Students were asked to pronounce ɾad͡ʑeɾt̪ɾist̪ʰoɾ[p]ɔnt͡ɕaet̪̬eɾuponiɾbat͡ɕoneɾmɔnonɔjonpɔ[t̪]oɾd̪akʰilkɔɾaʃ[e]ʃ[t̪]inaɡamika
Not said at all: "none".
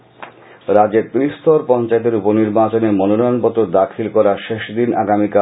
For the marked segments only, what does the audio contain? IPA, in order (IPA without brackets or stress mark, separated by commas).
p, t̪, e, d̪